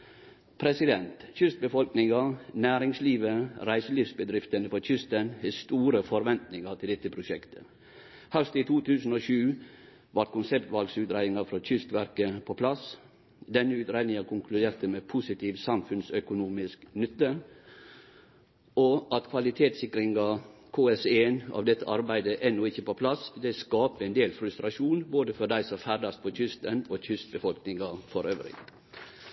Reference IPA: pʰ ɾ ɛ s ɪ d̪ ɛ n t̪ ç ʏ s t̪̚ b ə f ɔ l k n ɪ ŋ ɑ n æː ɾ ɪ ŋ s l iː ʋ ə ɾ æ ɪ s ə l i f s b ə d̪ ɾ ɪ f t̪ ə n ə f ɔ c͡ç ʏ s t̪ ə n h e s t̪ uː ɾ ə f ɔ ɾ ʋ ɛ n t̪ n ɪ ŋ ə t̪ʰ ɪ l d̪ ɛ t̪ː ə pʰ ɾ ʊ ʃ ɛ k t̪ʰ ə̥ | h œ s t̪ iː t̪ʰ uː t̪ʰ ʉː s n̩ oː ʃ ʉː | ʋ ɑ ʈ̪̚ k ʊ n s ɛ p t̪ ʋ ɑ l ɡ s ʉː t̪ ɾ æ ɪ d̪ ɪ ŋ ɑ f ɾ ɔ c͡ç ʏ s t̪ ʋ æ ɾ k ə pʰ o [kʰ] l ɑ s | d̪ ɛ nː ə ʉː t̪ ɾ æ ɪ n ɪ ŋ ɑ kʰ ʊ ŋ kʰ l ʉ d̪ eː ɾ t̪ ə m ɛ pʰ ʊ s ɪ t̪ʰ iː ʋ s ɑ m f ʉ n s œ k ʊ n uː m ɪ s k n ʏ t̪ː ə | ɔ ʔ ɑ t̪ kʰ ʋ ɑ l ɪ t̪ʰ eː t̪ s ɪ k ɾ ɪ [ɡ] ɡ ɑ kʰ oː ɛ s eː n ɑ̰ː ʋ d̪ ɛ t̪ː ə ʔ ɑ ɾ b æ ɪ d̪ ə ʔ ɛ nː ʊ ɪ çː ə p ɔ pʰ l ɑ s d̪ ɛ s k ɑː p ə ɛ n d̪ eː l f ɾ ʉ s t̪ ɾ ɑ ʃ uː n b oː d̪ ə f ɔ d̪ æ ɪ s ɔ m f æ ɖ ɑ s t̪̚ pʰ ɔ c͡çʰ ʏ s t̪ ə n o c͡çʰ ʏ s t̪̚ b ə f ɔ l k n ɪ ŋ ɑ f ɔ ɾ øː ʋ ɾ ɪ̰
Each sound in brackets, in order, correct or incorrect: incorrect: pʰ, incorrect: ŋ

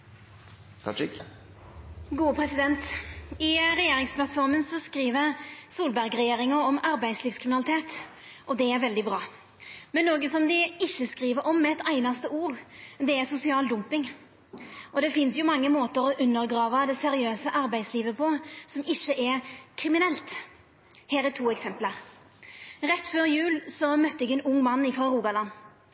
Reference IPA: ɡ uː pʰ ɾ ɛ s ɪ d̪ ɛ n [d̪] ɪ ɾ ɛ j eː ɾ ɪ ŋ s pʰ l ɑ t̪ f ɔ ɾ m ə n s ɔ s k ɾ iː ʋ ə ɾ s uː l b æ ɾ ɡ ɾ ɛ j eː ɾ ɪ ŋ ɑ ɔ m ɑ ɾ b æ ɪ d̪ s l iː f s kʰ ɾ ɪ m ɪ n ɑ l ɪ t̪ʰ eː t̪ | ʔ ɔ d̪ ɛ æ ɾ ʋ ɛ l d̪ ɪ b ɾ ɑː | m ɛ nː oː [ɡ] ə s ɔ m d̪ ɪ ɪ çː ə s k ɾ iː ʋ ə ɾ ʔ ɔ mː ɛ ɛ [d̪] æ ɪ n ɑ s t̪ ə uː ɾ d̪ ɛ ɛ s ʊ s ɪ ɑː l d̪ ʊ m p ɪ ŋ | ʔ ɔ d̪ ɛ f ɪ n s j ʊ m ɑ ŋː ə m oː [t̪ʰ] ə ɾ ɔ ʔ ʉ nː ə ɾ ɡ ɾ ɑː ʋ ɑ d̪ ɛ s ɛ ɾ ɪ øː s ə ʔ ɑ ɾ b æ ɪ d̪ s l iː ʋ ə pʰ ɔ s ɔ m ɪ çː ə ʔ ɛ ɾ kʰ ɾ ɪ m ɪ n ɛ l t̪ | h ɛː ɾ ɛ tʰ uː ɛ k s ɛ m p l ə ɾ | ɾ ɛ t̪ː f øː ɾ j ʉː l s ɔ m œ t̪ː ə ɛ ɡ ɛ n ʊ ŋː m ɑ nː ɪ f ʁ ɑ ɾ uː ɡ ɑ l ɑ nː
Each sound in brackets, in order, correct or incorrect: incorrect: t̪, correct, incorrect: t̪, incorrect: t̪

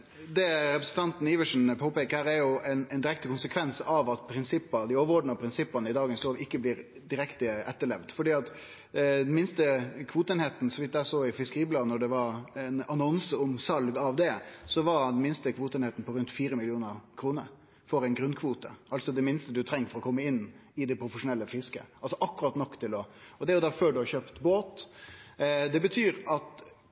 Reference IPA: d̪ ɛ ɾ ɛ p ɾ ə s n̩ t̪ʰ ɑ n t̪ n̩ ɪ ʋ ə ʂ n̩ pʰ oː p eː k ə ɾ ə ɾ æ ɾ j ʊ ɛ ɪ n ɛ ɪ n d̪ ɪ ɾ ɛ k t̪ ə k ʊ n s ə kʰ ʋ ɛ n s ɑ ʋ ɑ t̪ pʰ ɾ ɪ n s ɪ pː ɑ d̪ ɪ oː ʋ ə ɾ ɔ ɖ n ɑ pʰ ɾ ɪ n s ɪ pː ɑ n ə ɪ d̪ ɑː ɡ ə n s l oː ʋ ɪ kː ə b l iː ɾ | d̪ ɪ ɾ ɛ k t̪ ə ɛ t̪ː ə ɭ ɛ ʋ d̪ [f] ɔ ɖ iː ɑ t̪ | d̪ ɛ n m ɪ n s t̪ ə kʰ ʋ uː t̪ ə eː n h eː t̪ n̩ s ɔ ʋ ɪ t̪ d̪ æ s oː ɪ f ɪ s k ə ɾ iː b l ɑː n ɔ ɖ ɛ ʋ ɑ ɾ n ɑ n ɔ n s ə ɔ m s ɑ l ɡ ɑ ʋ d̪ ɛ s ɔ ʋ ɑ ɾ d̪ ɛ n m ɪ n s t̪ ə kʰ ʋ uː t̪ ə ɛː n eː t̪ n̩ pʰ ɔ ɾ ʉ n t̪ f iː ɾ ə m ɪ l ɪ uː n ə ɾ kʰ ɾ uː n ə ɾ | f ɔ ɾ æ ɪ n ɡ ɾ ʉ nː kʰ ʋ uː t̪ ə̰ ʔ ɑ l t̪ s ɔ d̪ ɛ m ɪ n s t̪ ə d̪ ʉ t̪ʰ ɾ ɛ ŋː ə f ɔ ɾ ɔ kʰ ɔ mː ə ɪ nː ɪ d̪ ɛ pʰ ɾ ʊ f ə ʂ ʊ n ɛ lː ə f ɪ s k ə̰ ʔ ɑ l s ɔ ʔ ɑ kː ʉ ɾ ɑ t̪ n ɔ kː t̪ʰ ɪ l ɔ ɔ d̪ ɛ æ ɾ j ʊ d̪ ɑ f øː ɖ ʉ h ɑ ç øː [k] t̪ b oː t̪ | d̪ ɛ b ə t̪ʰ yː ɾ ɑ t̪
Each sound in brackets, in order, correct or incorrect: correct, incorrect: p

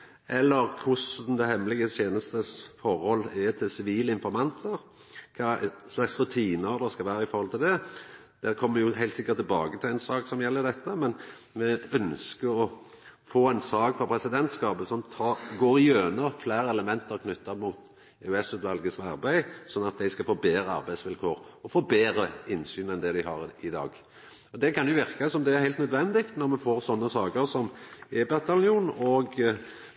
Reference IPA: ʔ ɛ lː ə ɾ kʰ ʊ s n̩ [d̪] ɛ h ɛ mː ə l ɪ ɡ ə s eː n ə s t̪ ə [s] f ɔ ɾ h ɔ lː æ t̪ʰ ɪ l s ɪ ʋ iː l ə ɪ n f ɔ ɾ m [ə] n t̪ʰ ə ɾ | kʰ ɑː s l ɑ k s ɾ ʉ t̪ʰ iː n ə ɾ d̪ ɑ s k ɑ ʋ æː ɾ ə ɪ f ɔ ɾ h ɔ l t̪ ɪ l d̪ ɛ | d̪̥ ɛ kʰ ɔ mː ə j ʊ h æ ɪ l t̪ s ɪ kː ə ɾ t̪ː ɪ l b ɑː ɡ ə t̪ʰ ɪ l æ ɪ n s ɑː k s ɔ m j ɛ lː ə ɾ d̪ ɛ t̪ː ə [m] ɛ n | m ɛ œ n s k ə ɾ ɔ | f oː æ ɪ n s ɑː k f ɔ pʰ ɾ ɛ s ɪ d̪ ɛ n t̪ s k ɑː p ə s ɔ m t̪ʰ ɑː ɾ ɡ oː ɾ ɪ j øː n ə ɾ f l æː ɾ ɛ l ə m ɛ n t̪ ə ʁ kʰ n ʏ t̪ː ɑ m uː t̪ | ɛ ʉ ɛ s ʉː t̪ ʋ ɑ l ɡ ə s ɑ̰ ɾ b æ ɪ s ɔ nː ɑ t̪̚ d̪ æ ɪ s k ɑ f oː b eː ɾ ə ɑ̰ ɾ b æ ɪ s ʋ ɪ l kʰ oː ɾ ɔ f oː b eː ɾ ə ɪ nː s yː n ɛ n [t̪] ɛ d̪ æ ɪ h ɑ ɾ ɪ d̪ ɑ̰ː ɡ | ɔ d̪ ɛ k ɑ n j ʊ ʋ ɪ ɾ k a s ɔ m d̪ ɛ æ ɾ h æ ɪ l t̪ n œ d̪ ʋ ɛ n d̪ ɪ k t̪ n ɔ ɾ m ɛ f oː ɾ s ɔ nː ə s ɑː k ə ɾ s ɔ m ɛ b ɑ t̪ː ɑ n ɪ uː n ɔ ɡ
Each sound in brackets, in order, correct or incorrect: correct, correct, incorrect: ɑ, correct, incorrect: d̪

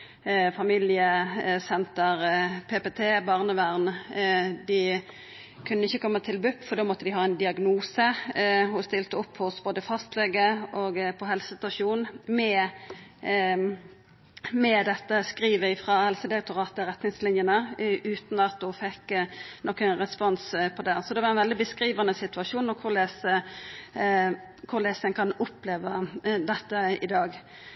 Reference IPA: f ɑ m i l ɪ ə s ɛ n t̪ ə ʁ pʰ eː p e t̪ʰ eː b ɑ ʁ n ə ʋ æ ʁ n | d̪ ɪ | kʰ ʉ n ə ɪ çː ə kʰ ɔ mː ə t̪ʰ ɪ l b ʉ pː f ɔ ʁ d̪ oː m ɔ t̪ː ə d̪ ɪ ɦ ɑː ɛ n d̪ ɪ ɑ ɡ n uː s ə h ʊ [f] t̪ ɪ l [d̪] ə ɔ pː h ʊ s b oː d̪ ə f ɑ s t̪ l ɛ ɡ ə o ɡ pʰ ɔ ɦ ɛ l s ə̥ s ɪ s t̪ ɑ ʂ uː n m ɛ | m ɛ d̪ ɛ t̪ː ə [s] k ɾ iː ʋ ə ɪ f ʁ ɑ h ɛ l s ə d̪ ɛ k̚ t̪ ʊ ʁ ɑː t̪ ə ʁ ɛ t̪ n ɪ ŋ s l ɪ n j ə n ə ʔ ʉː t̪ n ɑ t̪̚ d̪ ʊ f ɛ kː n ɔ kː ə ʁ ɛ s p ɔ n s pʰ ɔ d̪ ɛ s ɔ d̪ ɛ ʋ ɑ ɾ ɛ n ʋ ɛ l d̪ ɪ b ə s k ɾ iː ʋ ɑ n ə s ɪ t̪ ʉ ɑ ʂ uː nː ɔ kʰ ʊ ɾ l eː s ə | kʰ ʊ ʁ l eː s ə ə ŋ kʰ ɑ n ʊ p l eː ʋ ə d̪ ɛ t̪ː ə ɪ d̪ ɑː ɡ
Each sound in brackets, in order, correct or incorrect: incorrect: s, incorrect: t̪, correct

